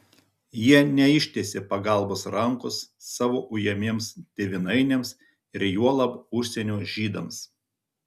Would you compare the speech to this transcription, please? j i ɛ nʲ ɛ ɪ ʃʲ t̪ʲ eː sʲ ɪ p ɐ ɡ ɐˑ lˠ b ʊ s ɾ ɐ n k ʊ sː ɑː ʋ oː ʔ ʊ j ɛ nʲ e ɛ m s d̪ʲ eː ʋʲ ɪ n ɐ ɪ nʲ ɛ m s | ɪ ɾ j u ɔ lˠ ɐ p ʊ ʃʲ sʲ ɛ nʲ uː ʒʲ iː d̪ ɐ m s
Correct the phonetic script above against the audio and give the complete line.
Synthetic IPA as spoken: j i ɛ nʲ ɛ ɪ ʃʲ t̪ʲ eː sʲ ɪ p ɐ ɡ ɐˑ lˠ b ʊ s ɾ ɐ ŋ k ʊ sː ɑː ʋ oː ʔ ʊ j ɛ mʲ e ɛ m s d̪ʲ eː ʋʲ ɪ n ɐ ɪ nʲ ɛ m s | ɪ ɾ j u ɔ lˠ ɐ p ʊ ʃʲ sʲ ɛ nʲ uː ʒʲ iː d̪ ɐ m s